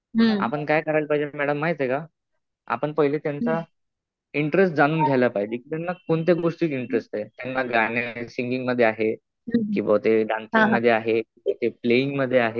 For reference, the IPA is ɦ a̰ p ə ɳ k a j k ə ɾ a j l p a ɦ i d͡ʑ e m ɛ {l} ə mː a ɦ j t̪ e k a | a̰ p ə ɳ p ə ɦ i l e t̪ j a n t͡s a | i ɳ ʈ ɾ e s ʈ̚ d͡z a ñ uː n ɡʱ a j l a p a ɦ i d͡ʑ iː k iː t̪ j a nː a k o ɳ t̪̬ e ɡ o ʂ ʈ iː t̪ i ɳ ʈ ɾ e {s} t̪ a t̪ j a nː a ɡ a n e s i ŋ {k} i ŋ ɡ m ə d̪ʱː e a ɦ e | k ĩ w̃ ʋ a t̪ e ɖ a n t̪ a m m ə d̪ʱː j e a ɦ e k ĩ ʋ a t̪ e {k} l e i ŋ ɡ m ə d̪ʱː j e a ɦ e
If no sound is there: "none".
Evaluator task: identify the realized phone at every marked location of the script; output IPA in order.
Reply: ɽ, s, ɡ, p

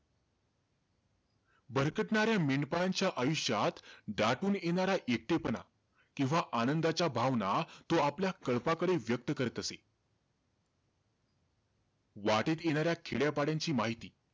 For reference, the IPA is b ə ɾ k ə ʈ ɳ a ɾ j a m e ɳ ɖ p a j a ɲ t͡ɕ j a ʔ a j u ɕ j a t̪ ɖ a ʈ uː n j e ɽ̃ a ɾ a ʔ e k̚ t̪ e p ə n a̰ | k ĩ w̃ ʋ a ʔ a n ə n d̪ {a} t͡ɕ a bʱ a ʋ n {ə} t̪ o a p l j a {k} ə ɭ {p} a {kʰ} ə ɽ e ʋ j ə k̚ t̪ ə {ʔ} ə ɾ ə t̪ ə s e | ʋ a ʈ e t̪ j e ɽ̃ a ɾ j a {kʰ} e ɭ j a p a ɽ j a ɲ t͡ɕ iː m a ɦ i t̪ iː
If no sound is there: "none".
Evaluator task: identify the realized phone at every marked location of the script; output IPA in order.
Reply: a, a, k, p, k, k, kʰ

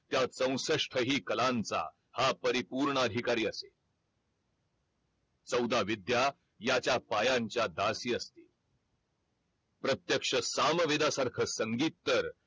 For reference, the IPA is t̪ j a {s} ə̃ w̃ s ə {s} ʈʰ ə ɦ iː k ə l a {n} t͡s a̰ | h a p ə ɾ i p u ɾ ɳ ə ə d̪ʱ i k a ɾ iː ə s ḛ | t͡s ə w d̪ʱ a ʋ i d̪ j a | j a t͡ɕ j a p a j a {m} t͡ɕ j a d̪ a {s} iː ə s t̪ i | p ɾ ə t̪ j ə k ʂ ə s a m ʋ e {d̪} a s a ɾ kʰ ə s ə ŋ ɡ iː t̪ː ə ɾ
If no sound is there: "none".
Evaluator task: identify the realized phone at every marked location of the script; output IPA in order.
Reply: t͡s, ʂ, n, ɲ, s, d̪

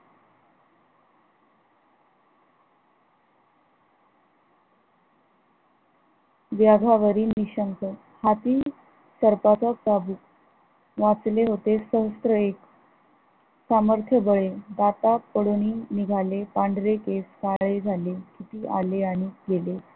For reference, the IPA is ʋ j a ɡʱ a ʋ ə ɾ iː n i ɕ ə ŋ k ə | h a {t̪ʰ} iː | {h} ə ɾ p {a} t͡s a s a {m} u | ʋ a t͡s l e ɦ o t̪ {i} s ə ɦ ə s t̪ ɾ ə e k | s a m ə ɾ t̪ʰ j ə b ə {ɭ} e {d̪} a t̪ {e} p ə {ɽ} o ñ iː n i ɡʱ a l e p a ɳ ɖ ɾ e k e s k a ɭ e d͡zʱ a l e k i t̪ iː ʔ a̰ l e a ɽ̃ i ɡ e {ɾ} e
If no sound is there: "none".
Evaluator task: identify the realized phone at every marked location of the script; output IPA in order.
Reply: t̪, s, a, b, e, ɭ, d̪, a, ɽ, l

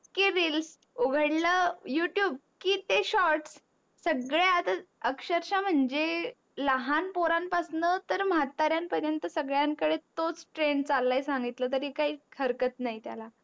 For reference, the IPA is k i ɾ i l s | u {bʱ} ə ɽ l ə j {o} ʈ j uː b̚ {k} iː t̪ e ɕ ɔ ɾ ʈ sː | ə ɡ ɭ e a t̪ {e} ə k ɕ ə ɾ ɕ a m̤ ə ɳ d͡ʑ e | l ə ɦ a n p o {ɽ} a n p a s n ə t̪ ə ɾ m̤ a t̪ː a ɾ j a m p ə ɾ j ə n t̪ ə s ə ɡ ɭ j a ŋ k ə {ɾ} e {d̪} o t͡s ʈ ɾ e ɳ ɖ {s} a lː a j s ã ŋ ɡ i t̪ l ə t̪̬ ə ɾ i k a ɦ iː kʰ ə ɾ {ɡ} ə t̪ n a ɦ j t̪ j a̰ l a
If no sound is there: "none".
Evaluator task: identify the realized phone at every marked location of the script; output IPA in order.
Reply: ɡʱ, u, k, a, ɾ, ɽ, t̪, t͡s, k

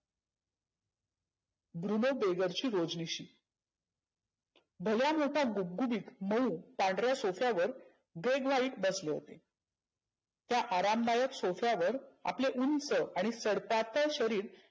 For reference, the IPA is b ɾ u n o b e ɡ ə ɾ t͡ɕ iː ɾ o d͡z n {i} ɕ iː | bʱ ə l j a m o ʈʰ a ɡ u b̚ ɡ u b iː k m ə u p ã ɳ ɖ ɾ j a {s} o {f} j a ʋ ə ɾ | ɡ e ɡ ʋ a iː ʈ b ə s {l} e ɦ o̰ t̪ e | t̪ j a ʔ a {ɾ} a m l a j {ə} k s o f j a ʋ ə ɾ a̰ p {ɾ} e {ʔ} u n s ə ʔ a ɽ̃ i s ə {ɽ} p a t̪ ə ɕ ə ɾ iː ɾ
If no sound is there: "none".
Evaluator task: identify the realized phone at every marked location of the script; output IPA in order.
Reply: i, s, f, l, ɾ, ə, l, ʔ, ɽ

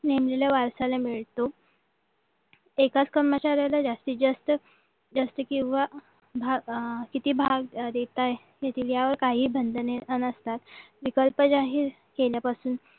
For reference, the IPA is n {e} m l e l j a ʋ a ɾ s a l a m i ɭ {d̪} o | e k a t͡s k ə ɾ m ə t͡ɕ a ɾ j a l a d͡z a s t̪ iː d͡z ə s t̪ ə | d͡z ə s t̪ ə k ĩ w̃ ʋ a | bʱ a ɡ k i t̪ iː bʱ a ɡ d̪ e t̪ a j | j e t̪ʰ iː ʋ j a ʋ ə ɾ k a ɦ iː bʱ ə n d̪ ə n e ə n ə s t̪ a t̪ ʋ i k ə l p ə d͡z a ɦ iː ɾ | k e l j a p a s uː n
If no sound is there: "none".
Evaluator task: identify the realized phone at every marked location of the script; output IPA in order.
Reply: e, t̪

